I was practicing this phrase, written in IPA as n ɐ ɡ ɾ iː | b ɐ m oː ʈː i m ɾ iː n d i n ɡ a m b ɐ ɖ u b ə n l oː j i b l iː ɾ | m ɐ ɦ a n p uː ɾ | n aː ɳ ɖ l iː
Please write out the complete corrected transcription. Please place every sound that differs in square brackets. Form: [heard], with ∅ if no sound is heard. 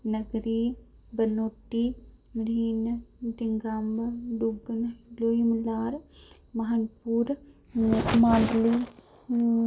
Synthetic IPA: n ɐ ɡ ɾ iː | b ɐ [n] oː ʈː i m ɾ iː n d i [ŋ] ɡ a m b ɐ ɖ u [ɡ] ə n l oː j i [m] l [aː] ɾ | m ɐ ɦ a n p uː ɾ | [m] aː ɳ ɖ l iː